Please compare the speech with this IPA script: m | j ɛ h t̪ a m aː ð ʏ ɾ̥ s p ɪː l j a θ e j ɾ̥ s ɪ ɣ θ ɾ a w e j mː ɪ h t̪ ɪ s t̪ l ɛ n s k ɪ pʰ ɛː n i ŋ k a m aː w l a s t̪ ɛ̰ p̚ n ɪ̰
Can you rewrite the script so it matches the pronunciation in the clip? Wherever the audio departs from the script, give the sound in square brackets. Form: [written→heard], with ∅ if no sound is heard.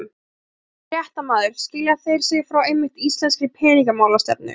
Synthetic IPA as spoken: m | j ɛ h t̪ a m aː ð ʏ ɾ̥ s [p→c] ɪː l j a θ e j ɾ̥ s ɪ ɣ [θ→f] ɾ a w e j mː ɪ h t̪ [ɪ→i] s t̪ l ɛ n s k ɪ pʰ ɛː n i ŋ k a m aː w l a s t̪ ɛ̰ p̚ n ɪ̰